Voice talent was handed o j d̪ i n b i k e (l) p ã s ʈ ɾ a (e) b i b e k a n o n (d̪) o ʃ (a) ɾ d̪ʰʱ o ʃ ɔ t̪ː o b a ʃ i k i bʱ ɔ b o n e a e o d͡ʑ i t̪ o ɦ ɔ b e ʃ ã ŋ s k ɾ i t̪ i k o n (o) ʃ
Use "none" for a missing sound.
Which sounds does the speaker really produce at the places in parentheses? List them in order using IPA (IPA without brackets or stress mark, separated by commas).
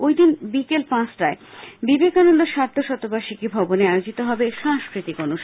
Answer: l, e, d̪, a, u